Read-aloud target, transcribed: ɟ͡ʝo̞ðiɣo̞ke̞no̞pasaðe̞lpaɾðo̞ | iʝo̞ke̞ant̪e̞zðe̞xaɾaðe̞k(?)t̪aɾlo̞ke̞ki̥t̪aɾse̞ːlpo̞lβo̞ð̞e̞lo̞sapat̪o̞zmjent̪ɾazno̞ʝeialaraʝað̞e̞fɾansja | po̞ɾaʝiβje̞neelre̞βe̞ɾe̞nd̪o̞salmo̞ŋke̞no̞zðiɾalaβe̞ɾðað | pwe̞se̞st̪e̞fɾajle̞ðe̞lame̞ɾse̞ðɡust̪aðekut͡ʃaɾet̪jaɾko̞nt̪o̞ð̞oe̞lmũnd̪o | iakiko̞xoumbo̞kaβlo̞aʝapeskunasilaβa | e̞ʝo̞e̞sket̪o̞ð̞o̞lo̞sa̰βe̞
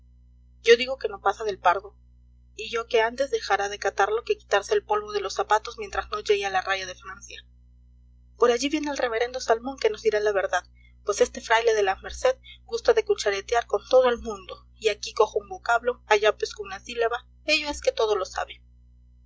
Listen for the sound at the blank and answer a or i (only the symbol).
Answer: a